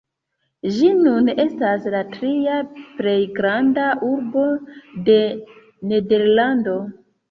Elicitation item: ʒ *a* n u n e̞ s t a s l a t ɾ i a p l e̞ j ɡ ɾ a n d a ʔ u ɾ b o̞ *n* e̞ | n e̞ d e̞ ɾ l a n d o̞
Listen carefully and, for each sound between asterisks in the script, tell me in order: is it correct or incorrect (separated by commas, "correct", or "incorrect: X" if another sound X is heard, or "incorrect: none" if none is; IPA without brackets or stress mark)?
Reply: incorrect: i, incorrect: d